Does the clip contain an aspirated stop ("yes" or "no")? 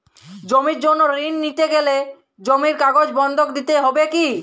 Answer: no